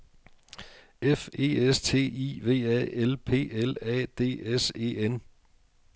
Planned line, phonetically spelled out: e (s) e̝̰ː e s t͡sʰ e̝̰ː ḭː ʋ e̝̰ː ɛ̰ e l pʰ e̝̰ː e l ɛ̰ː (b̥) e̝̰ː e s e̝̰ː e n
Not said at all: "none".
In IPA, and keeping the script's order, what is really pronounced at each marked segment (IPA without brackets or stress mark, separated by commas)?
f, d̥